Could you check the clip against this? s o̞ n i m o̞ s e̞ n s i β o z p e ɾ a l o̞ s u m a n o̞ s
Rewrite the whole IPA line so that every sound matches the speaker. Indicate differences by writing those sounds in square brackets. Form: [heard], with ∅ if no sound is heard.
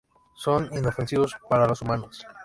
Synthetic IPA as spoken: s o̞ n i [n] o̞ [f] e̞ n s i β o [s] p [a] ɾ a l o̞ s u m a n o̞ s